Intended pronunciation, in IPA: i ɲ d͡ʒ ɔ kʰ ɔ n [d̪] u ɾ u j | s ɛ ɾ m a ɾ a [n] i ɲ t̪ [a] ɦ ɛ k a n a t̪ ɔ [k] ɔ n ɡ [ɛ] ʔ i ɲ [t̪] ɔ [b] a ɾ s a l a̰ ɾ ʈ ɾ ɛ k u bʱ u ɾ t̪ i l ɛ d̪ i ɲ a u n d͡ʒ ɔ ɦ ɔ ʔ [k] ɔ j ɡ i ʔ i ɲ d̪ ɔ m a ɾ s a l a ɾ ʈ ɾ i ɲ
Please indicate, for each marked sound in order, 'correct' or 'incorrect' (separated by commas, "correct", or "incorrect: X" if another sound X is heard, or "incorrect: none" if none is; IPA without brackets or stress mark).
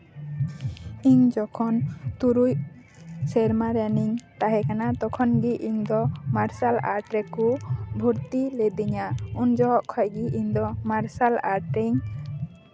incorrect: t̪, correct, correct, incorrect: kʰ, incorrect: i, incorrect: d̪, incorrect: m, incorrect: kʰ